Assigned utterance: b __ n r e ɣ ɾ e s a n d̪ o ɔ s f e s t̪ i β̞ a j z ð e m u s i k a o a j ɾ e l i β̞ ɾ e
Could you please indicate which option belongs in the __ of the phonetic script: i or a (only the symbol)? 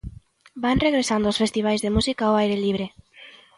a